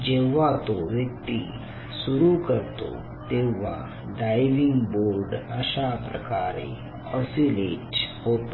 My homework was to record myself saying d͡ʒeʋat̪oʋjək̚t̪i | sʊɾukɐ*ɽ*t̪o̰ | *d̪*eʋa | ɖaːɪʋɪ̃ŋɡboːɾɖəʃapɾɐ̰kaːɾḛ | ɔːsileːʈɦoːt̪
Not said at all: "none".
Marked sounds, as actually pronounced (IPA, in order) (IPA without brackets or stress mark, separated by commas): ɾ, t̪